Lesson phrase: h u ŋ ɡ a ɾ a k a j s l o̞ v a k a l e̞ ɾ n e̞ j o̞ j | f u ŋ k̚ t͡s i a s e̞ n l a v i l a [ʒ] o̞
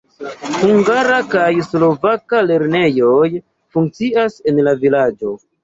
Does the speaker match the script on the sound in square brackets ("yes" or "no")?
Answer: no